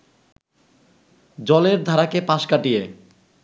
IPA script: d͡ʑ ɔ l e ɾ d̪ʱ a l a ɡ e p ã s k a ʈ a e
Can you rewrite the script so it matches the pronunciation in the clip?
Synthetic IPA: d͡ʑ ɔ l e ɾ d̪ʱ a ɾ a k e p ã ʃ k a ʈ i e